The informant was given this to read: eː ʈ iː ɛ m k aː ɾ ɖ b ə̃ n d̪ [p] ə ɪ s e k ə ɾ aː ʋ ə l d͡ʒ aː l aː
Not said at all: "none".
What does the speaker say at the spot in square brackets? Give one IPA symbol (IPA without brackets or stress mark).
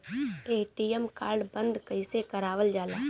k